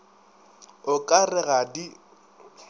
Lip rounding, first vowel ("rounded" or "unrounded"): rounded